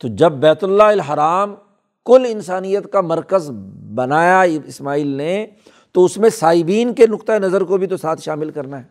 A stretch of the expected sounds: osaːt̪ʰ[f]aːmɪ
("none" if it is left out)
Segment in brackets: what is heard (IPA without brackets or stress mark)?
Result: ʃ